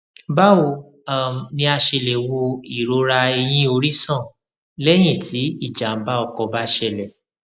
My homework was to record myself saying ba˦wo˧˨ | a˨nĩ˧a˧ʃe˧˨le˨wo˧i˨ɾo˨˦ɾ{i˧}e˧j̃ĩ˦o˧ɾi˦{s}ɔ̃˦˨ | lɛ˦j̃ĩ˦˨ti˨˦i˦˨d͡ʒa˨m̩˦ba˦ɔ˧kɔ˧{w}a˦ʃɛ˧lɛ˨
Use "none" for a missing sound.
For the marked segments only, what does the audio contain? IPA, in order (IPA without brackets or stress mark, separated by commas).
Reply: a˧, s, b